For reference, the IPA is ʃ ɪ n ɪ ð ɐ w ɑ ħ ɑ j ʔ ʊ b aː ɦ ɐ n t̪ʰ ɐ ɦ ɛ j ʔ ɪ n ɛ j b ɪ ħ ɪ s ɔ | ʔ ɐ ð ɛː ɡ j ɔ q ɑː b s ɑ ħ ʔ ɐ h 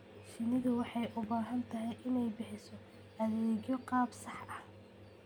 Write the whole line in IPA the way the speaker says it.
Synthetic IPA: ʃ ɪ n ɪ ð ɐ w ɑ ħ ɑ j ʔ ʊ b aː ɦ ɐ n t̪ʰ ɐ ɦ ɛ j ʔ ɪ n ɛ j b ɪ ħ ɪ s ɔ | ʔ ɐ ð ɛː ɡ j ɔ q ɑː b s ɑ ħ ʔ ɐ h